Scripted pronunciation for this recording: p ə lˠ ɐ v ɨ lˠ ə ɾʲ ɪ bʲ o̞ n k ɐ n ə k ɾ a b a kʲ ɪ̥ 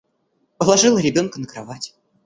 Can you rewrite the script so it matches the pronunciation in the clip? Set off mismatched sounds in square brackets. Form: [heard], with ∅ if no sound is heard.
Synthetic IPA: p ə lˠ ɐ [ʐ] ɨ lˠ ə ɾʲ ɪ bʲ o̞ n k [ə] n ə k ɾ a [v] a [tʲ] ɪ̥